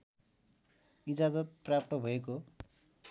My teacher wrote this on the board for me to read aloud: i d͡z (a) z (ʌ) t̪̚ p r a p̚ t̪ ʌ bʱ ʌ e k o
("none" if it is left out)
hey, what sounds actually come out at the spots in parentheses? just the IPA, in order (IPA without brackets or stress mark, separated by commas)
a, ʌ